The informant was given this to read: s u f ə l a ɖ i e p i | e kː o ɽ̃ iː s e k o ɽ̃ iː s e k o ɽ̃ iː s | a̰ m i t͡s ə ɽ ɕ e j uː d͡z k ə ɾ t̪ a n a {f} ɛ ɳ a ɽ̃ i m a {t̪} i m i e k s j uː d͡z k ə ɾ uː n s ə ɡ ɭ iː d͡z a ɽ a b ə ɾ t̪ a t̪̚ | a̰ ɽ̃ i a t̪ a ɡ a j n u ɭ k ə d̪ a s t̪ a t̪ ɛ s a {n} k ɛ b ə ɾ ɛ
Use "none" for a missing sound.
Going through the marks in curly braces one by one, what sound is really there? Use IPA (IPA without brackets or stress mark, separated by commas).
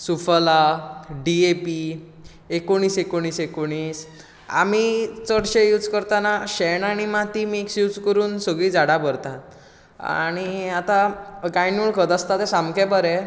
ɕ, t̪, m